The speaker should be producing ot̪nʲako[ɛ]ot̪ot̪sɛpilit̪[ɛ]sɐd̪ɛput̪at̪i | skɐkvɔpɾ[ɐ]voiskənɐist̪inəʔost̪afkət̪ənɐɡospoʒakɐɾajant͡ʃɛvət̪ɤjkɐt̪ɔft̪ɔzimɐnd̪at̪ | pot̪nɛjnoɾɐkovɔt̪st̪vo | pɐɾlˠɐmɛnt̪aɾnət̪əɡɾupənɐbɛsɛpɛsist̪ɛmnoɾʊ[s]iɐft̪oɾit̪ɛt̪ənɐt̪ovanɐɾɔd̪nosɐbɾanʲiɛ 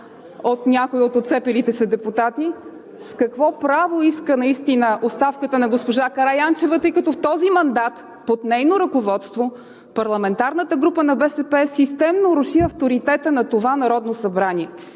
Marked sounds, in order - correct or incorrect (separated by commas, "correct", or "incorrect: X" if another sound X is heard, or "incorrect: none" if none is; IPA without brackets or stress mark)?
incorrect: i, correct, incorrect: a, incorrect: ʃ